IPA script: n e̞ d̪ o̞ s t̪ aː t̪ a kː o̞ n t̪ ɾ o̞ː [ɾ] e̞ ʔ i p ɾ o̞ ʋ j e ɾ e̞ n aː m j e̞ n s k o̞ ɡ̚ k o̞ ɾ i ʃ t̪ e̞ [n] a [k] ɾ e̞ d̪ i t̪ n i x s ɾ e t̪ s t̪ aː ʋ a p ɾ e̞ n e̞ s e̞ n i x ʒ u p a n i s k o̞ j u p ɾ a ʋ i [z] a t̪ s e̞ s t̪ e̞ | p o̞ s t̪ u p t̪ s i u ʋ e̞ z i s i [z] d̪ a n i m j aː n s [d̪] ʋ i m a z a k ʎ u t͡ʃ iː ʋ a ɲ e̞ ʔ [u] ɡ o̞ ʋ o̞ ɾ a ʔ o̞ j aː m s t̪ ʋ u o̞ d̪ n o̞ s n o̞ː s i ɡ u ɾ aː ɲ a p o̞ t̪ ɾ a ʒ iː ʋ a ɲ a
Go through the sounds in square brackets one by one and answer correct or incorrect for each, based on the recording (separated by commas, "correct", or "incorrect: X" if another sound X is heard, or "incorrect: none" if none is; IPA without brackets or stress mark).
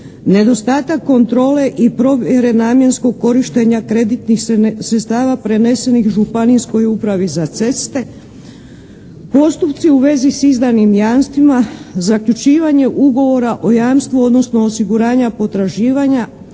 incorrect: l, incorrect: ɲ, correct, correct, correct, incorrect: t̪, correct